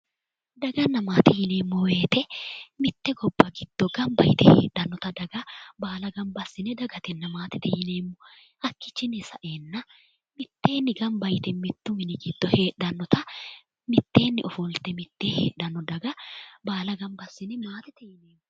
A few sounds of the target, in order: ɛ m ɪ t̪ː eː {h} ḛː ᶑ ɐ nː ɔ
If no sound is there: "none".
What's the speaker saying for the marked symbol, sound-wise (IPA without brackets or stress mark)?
h